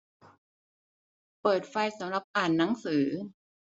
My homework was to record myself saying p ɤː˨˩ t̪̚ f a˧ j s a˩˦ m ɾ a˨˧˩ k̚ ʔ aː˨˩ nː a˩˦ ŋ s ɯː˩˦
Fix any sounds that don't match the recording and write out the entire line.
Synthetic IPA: p ɤː˨˩ t̪̚ f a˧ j s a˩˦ m ɾ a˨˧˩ p̚ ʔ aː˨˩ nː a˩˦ ŋ s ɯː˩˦